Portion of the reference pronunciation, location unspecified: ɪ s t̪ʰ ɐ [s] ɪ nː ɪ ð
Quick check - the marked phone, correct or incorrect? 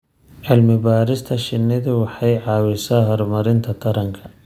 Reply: incorrect